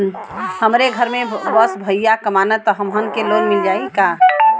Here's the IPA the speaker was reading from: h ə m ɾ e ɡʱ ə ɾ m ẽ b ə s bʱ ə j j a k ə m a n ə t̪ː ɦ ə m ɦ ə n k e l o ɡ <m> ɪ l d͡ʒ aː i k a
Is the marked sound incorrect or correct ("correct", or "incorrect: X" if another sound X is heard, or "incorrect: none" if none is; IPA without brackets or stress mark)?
correct